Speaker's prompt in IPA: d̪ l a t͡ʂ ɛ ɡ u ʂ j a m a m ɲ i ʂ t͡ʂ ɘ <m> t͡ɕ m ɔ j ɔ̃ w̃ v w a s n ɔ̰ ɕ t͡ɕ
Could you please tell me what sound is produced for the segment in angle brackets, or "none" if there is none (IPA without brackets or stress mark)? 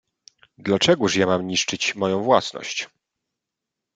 none